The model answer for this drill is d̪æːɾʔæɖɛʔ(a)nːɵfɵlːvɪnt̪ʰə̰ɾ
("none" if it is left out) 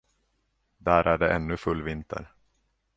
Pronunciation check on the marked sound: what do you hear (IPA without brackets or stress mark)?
ɛ